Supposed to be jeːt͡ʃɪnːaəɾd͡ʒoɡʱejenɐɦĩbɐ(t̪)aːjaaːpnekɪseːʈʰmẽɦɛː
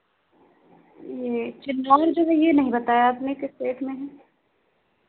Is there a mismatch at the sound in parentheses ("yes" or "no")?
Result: no